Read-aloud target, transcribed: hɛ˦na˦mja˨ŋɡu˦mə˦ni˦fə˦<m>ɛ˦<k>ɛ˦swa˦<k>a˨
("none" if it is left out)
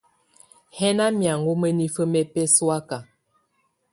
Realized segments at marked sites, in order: m, p, k

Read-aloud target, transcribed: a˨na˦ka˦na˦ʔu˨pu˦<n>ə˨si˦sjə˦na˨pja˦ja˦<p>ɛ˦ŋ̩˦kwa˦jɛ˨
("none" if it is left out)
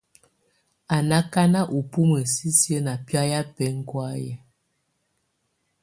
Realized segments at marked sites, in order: m, p

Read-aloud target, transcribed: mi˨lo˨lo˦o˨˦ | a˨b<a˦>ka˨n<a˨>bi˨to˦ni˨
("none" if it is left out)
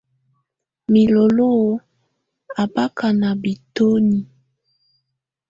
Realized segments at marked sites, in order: a˦, a˨

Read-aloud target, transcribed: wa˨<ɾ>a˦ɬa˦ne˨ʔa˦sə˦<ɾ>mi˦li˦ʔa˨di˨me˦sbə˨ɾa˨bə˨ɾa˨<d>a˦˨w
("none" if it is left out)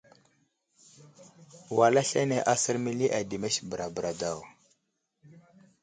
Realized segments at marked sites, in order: l, ɾ, d

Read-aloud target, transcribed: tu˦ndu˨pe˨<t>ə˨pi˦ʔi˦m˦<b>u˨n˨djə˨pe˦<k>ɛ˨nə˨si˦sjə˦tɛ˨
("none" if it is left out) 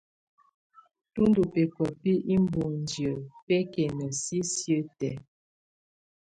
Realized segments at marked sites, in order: k, b, k

